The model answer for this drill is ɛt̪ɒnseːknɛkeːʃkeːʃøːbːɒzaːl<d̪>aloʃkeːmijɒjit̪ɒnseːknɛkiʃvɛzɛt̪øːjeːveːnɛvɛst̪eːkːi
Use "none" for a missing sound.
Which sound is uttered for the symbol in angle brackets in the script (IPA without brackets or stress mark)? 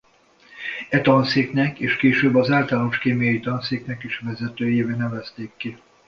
t̪